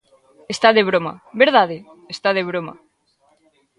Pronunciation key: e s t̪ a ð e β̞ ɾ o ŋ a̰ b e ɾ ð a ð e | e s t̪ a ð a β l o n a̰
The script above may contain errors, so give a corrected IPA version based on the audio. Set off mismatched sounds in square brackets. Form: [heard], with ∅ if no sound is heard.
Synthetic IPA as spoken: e s t̪ a ð e β̞ ɾ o [m] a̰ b e ɾ ð a ð e | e s t̪ a ð [e] β [ɾ] o [m] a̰

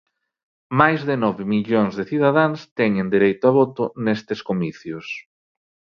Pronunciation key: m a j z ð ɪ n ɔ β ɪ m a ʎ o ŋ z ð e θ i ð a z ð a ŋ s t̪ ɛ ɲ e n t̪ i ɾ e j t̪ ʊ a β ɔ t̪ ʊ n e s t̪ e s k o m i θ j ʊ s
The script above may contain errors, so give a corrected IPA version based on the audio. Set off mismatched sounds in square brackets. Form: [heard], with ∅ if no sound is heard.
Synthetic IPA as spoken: m a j z ð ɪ n ɔ β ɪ m [i] ʎ o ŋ z ð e θ i ð a [∅] ð a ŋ s t̪ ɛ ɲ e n [d̪] i ɾ e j t̪ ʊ a β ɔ t̪ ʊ n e s t̪ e s k o m i θ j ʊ s

